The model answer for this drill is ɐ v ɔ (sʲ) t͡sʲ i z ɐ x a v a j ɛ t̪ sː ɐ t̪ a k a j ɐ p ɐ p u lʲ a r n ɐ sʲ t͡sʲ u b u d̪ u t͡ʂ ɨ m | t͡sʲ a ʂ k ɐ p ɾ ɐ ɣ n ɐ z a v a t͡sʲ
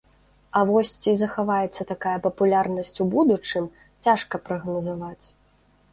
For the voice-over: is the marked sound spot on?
yes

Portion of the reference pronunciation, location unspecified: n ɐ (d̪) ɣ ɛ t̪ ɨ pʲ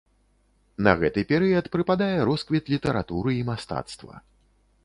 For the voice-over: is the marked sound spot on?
no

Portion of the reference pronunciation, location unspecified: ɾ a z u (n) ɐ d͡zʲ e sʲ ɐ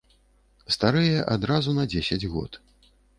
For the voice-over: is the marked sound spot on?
yes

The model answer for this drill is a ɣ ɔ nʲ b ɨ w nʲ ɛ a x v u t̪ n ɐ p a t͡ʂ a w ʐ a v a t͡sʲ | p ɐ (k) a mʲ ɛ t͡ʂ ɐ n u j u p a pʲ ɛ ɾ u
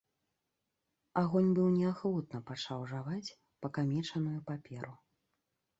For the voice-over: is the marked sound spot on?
yes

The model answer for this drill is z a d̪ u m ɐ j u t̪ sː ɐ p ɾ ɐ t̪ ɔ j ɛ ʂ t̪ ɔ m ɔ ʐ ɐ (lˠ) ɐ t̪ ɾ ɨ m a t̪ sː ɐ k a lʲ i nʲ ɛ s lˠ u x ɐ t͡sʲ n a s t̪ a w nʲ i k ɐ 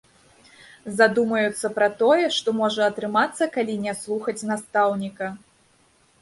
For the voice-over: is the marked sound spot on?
no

